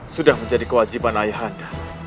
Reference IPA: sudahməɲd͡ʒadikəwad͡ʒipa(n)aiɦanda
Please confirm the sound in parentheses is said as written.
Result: yes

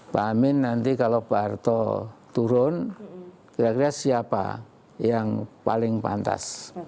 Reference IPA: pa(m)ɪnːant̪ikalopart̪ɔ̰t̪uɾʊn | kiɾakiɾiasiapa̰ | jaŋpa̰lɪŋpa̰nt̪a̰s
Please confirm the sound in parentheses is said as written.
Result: yes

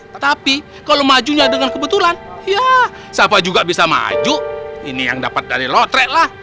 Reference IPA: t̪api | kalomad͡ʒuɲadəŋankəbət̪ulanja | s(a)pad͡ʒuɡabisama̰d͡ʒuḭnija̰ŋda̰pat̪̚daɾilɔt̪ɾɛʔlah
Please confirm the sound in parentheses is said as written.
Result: yes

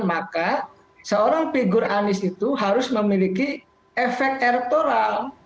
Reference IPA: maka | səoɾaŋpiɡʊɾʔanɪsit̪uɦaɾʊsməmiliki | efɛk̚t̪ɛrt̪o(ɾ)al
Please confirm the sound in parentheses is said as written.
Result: yes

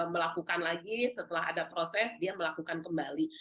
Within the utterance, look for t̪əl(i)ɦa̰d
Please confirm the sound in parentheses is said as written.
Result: no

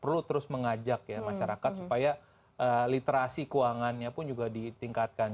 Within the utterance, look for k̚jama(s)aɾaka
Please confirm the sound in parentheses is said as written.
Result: no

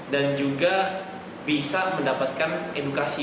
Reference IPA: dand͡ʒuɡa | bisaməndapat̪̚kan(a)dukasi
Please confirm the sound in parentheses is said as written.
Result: no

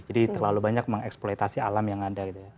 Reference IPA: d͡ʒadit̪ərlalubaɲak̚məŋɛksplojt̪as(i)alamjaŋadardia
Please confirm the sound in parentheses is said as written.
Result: yes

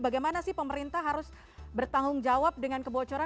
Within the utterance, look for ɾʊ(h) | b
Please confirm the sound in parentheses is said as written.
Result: no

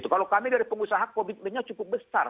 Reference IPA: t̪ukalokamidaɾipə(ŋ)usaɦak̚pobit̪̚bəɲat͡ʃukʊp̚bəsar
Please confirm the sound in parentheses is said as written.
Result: yes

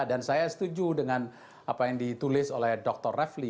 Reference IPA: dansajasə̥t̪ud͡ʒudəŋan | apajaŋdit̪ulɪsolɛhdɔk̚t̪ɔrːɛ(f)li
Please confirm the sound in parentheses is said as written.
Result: yes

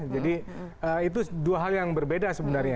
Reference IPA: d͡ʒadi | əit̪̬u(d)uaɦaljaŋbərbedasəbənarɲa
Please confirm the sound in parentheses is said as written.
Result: yes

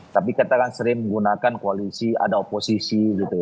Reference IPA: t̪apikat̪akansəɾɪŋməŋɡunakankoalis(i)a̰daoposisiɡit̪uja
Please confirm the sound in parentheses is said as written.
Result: yes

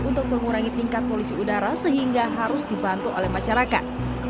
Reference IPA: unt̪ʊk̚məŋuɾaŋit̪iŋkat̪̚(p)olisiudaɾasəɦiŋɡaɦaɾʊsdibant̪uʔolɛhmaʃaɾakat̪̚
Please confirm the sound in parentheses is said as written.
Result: yes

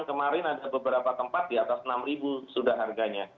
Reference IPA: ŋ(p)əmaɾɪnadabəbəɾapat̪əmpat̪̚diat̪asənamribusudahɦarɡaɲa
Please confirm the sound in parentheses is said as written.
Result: no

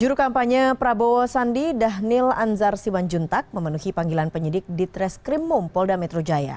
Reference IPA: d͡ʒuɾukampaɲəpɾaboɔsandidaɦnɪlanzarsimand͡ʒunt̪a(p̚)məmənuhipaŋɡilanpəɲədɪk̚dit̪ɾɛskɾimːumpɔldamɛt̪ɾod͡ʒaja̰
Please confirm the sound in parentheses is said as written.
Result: no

